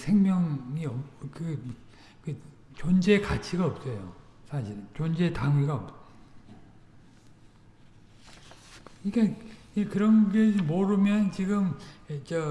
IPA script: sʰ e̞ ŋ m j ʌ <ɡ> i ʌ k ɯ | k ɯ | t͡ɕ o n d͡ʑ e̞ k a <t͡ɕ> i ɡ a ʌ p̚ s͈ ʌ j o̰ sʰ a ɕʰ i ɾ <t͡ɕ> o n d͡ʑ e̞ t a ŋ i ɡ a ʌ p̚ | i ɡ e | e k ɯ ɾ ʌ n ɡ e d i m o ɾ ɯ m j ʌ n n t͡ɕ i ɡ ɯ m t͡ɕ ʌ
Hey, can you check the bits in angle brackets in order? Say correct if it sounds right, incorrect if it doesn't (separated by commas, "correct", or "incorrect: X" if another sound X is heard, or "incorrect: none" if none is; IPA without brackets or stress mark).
incorrect: ŋ, incorrect: t͡ɕʰ, correct